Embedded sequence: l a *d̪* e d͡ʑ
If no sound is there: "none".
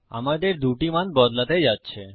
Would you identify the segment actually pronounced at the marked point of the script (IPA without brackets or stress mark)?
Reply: t̪